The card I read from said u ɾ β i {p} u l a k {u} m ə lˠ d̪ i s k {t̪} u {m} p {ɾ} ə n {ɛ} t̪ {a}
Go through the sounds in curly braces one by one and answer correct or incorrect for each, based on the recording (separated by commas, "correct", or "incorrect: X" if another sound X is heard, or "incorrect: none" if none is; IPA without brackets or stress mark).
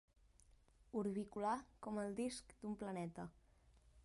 incorrect: k, incorrect: ɔ, incorrect: d̪, correct, incorrect: l, correct, incorrect: ə